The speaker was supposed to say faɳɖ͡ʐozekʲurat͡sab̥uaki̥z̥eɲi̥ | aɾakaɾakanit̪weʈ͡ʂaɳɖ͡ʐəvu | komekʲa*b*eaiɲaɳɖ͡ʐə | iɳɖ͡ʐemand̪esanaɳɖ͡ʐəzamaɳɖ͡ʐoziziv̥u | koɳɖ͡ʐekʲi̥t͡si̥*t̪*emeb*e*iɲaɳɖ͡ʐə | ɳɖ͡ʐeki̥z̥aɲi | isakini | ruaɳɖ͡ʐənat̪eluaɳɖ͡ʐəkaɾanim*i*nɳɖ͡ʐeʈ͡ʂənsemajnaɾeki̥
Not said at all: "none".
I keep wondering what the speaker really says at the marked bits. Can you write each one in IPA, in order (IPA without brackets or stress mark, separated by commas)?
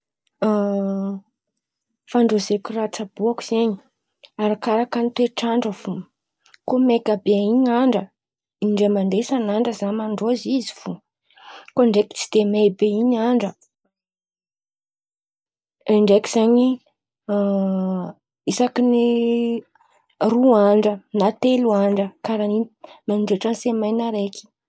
b, d̪, e, a